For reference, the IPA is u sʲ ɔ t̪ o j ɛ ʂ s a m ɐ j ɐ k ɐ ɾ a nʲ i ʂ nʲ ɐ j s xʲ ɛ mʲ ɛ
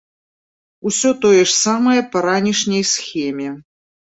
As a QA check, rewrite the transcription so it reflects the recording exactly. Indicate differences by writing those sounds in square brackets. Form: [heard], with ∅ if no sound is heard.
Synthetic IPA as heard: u sʲ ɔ t̪ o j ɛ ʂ s a m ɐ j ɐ [p] ɐ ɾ a nʲ i ʂ nʲ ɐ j s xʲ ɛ mʲ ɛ